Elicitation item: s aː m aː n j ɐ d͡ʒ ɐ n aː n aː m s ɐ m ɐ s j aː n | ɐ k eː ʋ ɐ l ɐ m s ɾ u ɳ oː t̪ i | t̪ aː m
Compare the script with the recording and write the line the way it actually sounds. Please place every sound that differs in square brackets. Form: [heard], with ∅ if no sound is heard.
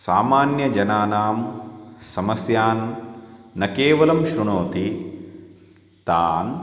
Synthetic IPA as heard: s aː m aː n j ɐ d͡ʒ ɐ n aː n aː m s ɐ m ɐ s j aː [nː] | ɐ k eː ʋ ɐ l ɐ m [ʃ] ɾ u ɳ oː t̪ i | t̪ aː [n]